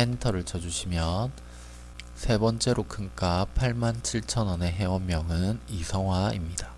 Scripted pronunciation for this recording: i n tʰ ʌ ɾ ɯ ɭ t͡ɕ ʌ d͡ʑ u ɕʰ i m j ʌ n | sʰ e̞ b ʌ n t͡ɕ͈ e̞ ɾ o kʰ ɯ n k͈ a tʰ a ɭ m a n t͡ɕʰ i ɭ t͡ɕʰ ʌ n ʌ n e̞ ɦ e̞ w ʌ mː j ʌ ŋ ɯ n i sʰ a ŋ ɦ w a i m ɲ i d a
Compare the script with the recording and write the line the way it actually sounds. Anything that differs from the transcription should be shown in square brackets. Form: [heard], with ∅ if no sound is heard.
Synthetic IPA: [e] n tʰ ʌ ɾ ɯ ɭ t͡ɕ ʌ d͡ʑ u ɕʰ i m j ʌ n | sʰ e̞ b ʌ n t͡ɕ͈ e̞ ɾ o kʰ ɯ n k͈ a [pʰ] a ɭ m a n t͡ɕʰ i ɭ t͡ɕʰ ʌ n ʌ n e̞ ɦ e̞ w ʌ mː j ʌ ŋ ɯ n i sʰ [ʌ] ŋ ɦ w a i m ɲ i d a